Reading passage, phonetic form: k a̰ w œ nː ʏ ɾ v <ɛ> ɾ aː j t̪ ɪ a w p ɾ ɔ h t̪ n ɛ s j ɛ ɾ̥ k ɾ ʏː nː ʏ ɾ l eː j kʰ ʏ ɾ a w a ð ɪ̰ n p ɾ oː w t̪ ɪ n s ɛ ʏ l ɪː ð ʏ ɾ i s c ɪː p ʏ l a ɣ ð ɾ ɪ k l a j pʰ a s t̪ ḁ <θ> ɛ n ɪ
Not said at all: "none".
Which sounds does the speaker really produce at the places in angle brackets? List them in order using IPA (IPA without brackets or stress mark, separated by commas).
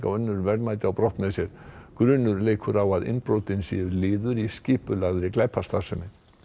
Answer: ɛ, s